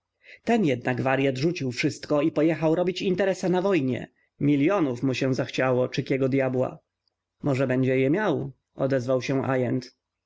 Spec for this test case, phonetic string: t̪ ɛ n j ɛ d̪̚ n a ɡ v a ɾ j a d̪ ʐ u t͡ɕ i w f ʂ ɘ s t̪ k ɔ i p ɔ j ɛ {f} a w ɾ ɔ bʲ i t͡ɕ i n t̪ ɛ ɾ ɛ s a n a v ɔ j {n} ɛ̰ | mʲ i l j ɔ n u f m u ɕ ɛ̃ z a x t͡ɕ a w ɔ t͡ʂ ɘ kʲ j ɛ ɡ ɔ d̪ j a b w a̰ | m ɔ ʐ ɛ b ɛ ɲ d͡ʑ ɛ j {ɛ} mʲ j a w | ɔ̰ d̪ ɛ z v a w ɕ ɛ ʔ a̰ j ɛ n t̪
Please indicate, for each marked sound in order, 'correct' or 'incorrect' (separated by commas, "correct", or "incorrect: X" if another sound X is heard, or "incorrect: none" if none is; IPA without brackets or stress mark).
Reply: incorrect: x, incorrect: ɲ, correct